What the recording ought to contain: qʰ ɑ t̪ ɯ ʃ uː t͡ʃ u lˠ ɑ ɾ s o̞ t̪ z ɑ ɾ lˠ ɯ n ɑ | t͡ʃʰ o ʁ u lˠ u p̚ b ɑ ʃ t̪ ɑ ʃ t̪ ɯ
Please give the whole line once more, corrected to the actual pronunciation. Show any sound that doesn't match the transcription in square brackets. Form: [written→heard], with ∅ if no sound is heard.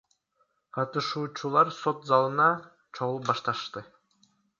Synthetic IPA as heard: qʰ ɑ t̪ ɯ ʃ uː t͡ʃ u lˠ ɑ ɾ s o̞ t̪ z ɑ [ɾ→∅] lˠ ɯ n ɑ | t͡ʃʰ o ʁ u lˠ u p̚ b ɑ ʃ t̪ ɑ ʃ t̪ ɯ